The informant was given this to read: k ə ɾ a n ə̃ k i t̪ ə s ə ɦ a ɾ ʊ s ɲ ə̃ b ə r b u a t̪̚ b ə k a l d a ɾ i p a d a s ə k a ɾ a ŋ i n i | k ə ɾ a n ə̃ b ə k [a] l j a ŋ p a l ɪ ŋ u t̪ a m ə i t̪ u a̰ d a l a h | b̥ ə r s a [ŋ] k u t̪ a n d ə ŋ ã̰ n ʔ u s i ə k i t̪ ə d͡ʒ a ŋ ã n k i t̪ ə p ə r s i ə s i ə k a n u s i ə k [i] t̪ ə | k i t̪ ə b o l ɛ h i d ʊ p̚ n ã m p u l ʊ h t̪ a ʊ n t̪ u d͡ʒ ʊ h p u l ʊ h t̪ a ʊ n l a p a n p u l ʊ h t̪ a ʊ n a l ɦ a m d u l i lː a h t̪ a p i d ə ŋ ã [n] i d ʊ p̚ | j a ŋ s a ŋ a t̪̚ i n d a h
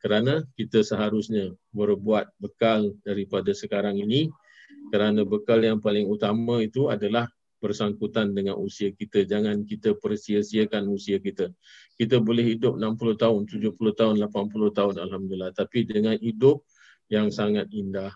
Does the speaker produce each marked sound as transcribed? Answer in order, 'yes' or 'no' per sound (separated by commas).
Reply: yes, yes, yes, yes